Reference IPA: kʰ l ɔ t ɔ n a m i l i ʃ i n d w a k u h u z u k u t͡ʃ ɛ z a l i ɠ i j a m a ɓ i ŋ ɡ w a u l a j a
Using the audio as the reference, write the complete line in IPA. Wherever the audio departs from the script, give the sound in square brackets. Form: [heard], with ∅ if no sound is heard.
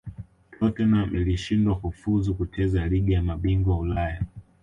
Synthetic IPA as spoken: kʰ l ɔ t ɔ n a m i l i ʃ i n d w a k u [f] u z u k u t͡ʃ ɛ z a l i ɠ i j a m a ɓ i ŋ ɡ w a u l a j a